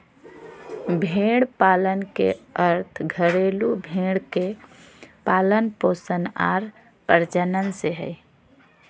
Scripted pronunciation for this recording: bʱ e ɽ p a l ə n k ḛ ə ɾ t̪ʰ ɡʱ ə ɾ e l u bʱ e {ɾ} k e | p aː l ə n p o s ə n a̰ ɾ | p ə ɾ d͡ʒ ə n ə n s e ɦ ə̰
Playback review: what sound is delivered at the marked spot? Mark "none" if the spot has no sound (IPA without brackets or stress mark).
ɽ